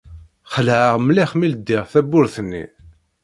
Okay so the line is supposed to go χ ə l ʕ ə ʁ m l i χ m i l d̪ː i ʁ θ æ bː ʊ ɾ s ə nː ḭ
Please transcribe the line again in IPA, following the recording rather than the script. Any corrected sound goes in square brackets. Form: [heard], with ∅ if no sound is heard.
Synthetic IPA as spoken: χ ə l ʕ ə ʁ m l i χ m i l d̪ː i ʁ θ æ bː ʊ ɾ [θ] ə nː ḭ